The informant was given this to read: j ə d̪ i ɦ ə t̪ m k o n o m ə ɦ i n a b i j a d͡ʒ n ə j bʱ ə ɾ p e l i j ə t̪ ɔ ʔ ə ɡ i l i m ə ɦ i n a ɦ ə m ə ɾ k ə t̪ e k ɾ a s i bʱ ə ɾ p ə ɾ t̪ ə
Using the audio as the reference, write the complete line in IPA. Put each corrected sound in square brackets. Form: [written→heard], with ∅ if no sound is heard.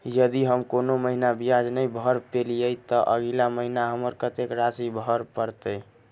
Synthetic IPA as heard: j ə d̪ i ɦ ə [t̪→∅] m k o n o m ə ɦ i n a b i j a d͡ʒ n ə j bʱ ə ɾ p e l i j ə t̪ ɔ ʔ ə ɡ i l [i→a] m ə ɦ i n a ɦ ə m ə ɾ k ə t̪ e k ɾ a s i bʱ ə ɾ p ə ɾ t̪ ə